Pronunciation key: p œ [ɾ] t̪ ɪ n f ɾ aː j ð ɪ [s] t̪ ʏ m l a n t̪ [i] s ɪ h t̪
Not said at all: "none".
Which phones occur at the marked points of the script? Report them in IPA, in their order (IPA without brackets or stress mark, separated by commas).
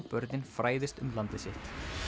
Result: ɾ, s, ɪ